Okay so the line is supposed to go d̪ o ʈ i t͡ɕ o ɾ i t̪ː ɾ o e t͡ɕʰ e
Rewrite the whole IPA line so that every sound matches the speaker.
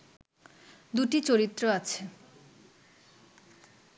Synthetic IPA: d̪ u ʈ i t͡ɕ o ɾ i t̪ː ɾ o a t͡ɕʰ e